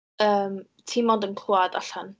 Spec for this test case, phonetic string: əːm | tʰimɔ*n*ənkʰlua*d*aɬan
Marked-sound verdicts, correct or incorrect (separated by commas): incorrect, correct